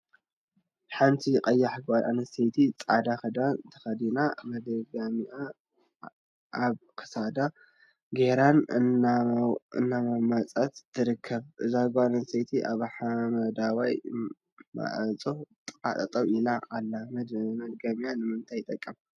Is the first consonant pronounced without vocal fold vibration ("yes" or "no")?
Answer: yes